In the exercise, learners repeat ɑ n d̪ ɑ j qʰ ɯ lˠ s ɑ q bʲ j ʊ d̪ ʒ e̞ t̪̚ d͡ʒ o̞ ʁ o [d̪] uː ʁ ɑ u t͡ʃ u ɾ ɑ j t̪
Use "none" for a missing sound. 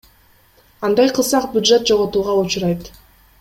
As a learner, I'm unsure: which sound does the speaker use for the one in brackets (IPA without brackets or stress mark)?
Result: t̪